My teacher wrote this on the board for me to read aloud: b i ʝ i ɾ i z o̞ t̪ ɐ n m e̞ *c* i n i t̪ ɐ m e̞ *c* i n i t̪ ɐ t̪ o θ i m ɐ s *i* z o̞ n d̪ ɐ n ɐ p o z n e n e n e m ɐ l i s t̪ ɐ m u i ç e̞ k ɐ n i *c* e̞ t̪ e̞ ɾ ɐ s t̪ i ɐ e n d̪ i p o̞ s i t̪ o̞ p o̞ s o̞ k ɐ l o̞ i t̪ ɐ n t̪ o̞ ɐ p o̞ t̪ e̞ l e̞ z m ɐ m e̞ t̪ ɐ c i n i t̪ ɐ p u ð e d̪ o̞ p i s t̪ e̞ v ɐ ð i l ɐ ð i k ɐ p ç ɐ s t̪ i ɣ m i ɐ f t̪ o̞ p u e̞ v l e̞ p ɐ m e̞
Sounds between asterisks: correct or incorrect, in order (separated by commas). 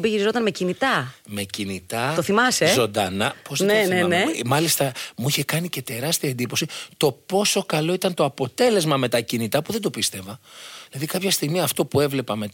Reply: correct, correct, incorrect, correct